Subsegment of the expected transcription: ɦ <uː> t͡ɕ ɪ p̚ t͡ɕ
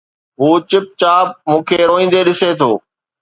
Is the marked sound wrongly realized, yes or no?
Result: no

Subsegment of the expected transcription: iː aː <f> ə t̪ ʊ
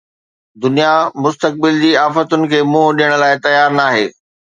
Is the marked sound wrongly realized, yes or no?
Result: no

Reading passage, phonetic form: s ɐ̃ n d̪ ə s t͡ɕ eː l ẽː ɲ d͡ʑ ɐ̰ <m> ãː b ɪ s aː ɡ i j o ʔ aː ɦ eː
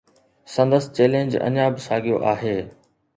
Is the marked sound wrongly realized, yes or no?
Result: yes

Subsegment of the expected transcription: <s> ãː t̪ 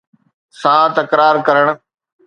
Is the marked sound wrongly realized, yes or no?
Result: no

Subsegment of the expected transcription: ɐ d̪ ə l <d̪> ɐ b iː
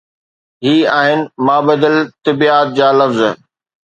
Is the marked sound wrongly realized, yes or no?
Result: yes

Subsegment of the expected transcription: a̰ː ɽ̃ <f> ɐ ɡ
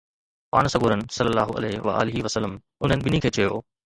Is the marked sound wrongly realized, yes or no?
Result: yes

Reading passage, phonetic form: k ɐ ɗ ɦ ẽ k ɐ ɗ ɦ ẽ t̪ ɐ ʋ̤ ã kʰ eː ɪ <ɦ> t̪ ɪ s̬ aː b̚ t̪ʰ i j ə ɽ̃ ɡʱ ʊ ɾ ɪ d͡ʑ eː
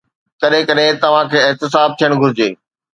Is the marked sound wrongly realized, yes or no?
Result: no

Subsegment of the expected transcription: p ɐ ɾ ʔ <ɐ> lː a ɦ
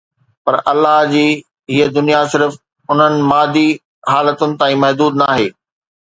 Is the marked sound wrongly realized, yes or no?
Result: no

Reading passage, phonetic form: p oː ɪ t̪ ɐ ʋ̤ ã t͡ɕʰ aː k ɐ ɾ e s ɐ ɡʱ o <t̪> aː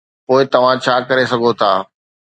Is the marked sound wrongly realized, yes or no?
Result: yes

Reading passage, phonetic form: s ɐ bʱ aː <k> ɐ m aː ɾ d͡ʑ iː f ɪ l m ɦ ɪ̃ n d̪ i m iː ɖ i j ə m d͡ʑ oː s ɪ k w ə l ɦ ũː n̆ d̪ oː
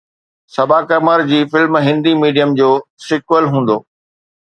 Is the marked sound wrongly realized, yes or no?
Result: no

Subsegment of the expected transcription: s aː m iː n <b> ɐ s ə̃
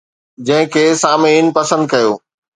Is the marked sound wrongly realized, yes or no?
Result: yes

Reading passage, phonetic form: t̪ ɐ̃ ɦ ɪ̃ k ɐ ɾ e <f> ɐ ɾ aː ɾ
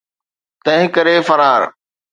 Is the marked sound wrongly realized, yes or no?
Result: no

